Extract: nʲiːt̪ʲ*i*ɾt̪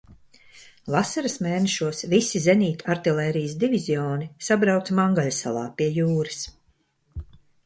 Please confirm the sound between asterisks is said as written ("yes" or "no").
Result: no